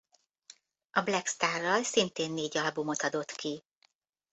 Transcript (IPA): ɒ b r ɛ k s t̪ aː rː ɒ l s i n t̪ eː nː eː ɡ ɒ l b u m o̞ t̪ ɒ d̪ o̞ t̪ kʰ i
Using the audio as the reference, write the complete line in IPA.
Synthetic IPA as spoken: ɒ b l ɛ k s t̪ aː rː ɒ l s i n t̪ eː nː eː ɟ ɒ l b u m o̞ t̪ ɒ d̪ o̞ t̪ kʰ i